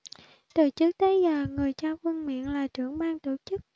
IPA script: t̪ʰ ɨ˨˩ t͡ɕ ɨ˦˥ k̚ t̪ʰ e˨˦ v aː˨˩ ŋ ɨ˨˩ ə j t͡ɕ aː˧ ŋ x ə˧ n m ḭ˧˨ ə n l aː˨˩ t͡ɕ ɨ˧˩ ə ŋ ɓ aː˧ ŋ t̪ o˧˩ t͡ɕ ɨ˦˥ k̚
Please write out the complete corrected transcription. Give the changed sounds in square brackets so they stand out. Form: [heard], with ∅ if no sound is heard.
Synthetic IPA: [t̪] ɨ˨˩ t͡ɕ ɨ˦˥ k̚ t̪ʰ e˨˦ [z] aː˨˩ ŋ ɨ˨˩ ə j t͡ɕ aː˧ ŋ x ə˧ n m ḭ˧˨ ə n l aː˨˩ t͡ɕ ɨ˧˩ ə ŋ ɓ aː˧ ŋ t̪ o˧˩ t͡ɕ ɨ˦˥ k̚